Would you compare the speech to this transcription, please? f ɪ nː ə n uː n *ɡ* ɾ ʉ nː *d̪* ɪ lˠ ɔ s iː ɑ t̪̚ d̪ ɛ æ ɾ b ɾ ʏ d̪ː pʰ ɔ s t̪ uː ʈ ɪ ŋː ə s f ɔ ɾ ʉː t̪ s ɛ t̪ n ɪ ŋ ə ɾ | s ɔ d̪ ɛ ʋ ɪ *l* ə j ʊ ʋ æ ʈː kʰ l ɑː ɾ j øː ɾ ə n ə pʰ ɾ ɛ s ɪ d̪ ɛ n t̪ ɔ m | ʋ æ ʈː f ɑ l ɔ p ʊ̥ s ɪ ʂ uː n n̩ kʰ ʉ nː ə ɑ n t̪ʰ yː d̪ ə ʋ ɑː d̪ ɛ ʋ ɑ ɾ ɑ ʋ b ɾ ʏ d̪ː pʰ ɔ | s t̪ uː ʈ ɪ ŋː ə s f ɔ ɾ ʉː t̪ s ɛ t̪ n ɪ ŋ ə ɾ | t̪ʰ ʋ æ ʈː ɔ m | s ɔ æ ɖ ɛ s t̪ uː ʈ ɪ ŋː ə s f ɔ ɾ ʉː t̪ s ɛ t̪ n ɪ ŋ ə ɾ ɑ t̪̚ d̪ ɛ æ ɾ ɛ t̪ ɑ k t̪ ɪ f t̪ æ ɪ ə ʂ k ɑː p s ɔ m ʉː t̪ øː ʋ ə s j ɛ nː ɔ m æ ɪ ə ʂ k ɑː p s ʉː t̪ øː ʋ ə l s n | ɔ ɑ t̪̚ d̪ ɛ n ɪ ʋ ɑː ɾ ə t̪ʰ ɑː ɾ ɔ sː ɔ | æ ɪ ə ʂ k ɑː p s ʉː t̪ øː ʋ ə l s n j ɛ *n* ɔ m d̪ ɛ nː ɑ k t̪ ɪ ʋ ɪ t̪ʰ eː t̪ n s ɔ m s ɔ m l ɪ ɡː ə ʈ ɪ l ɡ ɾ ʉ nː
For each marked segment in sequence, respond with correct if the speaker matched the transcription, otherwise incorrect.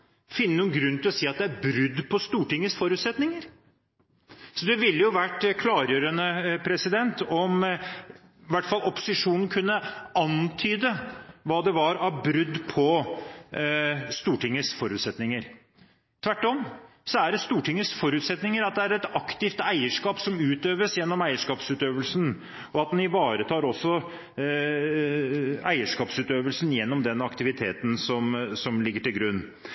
correct, incorrect, incorrect, incorrect

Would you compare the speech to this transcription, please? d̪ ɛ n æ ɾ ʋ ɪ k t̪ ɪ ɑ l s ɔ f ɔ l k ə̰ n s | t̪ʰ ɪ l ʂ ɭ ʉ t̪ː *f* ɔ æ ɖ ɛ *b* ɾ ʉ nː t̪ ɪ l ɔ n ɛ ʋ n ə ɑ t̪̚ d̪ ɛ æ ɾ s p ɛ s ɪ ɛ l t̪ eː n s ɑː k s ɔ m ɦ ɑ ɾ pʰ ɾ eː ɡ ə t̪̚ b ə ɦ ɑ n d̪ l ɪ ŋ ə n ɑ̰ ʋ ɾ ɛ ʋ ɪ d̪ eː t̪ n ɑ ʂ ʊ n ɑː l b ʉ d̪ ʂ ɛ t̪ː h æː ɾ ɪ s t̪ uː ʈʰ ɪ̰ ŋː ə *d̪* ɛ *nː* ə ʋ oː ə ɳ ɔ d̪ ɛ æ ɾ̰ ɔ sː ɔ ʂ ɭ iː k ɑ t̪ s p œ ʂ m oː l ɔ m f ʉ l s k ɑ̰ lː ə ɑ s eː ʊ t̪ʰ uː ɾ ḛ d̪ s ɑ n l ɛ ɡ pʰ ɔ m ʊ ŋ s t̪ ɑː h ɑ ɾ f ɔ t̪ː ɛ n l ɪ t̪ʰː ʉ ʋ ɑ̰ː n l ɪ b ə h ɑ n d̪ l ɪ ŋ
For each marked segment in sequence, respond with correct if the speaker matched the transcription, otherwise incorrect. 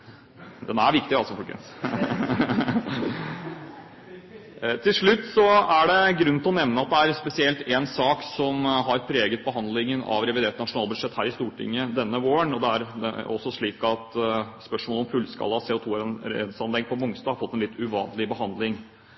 incorrect, incorrect, correct, correct

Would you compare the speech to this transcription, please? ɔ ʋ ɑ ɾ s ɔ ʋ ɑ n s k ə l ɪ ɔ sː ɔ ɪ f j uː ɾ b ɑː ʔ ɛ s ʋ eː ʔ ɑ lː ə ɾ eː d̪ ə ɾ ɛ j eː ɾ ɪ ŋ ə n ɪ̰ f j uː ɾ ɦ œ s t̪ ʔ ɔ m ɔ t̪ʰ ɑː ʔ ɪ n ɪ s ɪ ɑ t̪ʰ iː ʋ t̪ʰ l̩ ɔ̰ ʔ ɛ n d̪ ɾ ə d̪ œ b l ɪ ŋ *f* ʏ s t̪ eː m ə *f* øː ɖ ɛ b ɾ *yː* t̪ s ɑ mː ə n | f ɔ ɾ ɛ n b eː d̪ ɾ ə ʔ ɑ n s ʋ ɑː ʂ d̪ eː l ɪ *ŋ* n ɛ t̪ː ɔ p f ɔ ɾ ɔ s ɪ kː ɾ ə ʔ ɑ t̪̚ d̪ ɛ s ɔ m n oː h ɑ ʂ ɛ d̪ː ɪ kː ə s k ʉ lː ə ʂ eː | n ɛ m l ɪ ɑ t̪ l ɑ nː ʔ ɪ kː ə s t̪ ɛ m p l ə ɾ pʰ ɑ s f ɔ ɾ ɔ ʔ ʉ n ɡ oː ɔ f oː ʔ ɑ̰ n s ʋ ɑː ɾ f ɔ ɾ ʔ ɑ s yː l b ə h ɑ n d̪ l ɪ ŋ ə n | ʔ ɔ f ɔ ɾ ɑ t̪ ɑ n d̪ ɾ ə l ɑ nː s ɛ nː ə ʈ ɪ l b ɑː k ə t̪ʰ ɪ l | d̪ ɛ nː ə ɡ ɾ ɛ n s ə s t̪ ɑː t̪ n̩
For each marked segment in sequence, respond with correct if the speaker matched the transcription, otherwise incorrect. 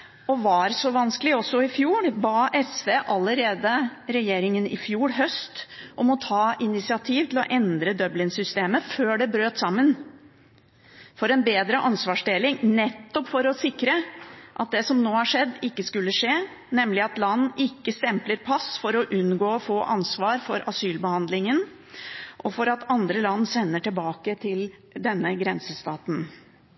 incorrect, correct, incorrect, correct

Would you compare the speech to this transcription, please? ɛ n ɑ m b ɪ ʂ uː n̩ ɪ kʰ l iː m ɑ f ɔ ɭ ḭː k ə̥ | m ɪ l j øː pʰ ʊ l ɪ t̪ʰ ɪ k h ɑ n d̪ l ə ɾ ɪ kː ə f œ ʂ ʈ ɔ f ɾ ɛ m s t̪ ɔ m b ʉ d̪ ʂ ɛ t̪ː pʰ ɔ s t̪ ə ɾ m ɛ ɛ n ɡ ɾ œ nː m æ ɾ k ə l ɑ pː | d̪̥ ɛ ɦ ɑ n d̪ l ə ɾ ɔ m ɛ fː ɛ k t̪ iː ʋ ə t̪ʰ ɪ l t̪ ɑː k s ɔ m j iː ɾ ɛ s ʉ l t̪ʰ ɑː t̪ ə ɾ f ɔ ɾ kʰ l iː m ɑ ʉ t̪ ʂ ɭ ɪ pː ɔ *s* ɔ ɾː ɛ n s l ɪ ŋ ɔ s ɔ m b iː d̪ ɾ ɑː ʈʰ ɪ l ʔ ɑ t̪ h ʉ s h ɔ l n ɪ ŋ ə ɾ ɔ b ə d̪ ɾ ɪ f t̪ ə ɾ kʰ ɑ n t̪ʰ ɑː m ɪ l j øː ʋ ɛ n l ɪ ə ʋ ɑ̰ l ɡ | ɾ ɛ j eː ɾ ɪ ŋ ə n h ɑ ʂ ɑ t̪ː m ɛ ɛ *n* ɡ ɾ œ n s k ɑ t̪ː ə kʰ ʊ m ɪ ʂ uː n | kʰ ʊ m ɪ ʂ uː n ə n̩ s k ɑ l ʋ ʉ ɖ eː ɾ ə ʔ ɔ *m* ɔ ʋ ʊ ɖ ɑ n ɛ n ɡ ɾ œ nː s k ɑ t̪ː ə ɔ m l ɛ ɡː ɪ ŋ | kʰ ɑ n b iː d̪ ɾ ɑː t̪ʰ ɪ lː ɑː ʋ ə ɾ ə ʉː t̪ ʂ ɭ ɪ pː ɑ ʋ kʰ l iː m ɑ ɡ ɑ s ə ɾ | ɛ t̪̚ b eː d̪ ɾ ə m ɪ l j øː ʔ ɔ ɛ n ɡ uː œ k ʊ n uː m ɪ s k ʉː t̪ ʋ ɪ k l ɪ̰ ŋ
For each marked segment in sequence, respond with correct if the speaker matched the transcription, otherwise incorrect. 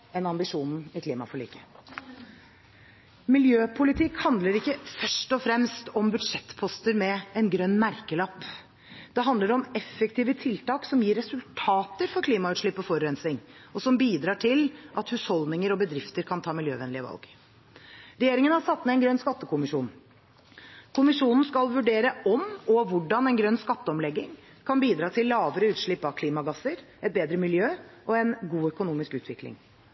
incorrect, correct, correct

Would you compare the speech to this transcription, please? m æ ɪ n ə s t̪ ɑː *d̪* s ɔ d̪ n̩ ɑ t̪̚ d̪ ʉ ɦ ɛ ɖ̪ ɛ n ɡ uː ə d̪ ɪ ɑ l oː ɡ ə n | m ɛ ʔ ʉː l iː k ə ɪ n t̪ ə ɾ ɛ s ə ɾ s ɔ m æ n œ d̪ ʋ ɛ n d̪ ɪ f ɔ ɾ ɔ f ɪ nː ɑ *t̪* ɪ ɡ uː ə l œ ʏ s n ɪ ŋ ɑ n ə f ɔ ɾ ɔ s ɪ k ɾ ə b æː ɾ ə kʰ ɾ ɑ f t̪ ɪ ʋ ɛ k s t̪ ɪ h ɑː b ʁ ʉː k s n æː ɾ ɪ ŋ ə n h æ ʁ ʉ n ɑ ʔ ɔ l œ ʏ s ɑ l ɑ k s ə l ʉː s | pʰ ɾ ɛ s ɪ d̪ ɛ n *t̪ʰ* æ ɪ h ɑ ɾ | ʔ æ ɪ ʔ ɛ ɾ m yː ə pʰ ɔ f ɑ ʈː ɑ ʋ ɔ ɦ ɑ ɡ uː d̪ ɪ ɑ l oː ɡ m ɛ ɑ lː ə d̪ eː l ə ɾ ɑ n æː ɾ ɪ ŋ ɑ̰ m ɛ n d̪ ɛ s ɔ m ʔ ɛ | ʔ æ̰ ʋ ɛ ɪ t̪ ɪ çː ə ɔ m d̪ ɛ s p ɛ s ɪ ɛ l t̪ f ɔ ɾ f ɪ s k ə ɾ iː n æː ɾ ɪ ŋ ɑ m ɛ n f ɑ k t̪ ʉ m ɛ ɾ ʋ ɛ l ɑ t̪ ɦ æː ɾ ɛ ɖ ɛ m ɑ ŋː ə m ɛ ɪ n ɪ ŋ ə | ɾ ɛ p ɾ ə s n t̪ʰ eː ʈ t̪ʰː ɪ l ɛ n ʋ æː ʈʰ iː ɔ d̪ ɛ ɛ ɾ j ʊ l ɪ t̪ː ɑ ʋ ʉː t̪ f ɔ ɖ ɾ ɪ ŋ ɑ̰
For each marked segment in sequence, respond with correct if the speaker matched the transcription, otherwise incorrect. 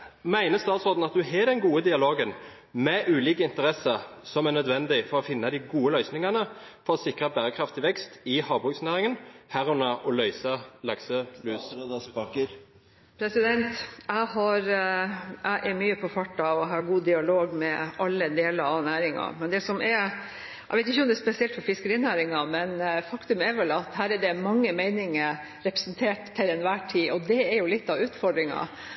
incorrect, incorrect, incorrect

